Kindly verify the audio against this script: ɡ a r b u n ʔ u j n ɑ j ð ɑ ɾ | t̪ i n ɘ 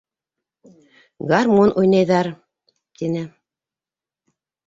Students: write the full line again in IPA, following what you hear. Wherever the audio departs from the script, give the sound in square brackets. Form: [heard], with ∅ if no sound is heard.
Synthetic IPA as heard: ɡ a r [m] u n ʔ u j n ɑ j ð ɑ ɾ | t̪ i n ɘ